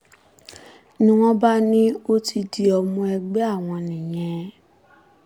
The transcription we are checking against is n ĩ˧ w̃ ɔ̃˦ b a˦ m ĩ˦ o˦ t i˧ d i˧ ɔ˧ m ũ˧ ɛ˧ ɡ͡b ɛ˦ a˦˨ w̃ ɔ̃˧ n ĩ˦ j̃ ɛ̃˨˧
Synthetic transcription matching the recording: n ĩ˧ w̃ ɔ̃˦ b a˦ n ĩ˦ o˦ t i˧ d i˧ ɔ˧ m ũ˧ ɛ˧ ɡ͡b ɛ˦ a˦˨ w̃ ɔ̃˧ n ĩ˨ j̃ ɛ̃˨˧